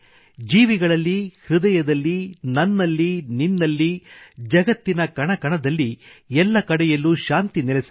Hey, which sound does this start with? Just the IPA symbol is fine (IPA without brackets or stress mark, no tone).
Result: d͡ʒ